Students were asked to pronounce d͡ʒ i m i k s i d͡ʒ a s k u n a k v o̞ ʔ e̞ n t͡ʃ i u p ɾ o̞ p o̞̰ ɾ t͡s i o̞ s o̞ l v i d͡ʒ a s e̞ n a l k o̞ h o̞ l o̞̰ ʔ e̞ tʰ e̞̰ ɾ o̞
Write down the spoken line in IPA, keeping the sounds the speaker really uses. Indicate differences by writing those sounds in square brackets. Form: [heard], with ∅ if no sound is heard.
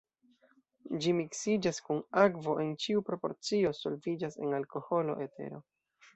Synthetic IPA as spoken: d͡ʒ i m i k s i d͡ʒ a s k u n a k v o̞ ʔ e̞ n t͡ʃ i u p ɾ o̞ p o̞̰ ɾ t͡s i o̞ s o̞ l v i d͡ʒ a s e̞ n a l k o̞ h o̞ l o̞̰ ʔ e̞ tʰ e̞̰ ɾ o̞